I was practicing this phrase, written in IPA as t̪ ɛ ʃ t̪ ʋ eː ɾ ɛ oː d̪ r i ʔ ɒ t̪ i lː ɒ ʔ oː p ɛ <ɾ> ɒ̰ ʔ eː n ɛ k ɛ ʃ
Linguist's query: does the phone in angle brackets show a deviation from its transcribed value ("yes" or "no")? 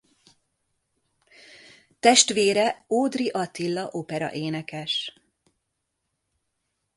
no